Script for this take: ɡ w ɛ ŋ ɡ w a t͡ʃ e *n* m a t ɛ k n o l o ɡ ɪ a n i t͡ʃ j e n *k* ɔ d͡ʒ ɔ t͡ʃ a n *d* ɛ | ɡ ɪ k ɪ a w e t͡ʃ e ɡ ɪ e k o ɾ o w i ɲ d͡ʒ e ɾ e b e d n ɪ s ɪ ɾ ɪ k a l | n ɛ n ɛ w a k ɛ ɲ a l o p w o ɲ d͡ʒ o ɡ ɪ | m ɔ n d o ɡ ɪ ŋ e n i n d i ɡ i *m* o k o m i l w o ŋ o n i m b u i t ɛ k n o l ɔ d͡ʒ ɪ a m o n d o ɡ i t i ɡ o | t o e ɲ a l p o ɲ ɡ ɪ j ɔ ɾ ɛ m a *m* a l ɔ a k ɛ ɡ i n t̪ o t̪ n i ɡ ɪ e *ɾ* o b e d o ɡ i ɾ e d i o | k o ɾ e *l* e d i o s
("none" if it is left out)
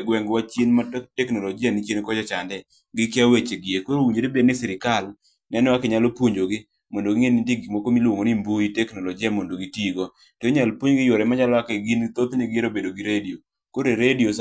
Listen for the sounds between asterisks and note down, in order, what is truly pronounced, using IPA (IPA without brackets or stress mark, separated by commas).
n, k, d, m, ɲ, ɾ, ɾ